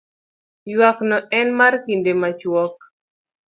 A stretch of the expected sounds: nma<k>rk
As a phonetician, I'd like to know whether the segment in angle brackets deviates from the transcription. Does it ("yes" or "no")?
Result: yes